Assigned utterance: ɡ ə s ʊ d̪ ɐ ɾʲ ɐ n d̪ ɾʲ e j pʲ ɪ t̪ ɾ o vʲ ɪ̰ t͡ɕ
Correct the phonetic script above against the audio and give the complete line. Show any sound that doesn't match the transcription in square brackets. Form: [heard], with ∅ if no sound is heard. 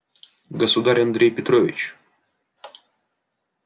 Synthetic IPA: ɡ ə s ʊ d̪ [a] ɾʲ ɐ n d̪ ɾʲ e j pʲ ɪ t̪ ɾ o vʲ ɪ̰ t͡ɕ